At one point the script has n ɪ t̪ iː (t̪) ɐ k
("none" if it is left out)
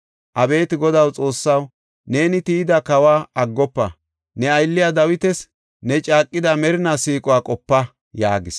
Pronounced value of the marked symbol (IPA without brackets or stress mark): d̪